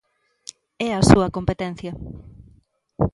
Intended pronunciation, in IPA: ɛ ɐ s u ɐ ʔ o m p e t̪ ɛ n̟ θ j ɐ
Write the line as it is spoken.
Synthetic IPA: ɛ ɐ s u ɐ k o m p e t̪ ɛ n̟ θ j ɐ